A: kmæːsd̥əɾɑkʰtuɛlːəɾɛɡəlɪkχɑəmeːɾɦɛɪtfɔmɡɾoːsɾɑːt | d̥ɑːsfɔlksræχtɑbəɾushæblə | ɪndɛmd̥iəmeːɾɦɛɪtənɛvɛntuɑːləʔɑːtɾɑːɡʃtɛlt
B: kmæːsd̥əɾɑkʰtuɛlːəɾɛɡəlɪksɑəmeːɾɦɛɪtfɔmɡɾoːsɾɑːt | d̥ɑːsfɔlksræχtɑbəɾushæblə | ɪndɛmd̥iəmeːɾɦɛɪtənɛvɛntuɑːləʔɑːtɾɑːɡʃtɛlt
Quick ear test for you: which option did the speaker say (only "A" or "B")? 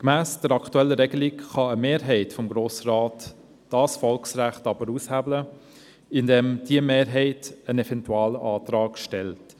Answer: A